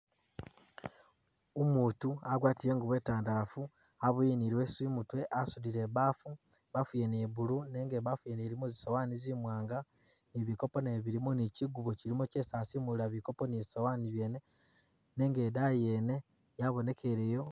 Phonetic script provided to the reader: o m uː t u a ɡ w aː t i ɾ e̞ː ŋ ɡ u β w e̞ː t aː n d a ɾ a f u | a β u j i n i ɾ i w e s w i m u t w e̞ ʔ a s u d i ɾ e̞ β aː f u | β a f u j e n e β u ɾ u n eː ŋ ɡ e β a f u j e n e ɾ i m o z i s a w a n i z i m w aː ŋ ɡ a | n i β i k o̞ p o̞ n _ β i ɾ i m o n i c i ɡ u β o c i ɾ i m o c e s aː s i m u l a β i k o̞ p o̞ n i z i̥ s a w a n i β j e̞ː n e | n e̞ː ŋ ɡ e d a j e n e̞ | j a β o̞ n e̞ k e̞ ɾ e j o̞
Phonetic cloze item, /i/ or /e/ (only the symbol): e